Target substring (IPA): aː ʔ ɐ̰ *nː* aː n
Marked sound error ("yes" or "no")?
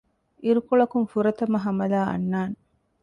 no